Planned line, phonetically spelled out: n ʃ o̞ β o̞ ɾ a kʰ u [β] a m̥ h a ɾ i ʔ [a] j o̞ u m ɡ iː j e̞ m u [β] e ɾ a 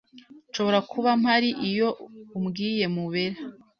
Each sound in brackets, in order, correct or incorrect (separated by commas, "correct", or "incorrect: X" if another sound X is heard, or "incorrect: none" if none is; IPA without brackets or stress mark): correct, incorrect: i, correct